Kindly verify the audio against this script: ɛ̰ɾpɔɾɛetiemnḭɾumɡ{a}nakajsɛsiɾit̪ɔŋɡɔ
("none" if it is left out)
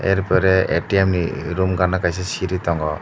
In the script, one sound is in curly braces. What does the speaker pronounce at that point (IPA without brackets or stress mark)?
a